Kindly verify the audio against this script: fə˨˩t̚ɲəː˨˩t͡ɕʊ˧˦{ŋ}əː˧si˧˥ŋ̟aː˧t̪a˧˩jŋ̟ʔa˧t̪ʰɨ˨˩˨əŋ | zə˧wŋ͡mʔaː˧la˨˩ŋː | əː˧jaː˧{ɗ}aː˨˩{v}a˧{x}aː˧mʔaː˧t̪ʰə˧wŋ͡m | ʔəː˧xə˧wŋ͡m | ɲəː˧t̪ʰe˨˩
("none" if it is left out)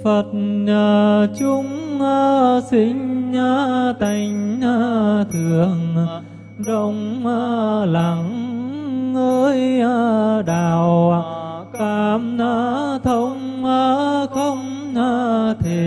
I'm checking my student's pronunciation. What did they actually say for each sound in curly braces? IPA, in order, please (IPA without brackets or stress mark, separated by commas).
ŋ͡m, ɗ, w, k